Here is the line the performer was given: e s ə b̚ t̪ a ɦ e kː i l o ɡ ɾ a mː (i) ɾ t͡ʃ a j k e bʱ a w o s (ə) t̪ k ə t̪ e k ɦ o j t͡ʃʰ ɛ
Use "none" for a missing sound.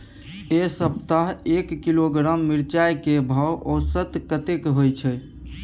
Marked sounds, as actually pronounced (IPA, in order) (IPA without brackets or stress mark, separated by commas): i, ə